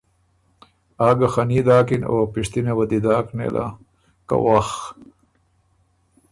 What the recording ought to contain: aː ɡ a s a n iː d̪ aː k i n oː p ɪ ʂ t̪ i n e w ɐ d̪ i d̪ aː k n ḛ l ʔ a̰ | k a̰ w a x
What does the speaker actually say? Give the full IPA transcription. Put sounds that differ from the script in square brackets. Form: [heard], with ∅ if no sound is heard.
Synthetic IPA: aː ɡ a [x] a n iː d̪ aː k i n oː p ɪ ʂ t̪ i n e w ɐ d̪ i d̪ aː k n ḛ l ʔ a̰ | k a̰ w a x